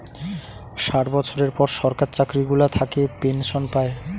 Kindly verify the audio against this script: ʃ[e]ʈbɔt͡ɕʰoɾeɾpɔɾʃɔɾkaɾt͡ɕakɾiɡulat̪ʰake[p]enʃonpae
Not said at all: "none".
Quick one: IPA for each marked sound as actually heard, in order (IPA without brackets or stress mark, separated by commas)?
a, p